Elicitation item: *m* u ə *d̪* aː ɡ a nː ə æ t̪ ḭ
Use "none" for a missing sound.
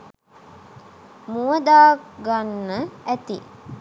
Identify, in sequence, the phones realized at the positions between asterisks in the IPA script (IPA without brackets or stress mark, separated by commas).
m, d̪